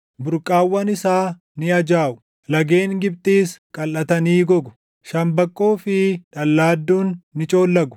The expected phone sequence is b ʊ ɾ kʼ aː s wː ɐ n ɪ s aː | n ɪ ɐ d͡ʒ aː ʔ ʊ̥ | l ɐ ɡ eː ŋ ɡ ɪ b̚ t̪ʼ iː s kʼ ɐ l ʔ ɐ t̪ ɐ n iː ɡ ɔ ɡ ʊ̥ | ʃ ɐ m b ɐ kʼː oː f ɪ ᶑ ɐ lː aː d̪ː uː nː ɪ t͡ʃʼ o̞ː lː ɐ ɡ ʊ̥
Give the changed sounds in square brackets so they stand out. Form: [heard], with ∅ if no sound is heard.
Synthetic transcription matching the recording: b ʊ ɾ kʼ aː [∅] wː ɐ n ɪ s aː | n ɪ ɐ d͡ʒ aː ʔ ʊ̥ | l ɐ ɡ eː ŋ ɡ ɪ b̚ t̪ʼ iː s kʼ ɐ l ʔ ɐ t̪ ɐ n iː ɡ ɔ ɡ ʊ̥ | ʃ ɐ m b ɐ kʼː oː f ɪ ᶑ ɐ lː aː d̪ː uː nː ɪ t͡ʃʼ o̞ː lː ɐ ɡ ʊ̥